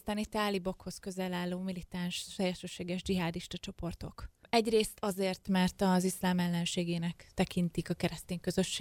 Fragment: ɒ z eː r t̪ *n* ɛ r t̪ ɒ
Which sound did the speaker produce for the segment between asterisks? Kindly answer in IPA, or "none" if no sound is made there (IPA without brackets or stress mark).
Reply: m